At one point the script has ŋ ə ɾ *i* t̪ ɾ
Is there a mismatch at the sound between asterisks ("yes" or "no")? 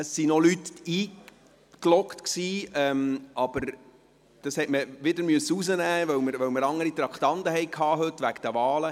no